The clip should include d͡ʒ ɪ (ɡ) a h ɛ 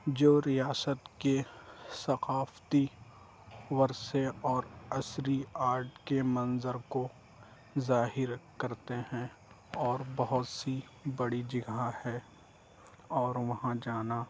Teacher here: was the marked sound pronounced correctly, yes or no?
yes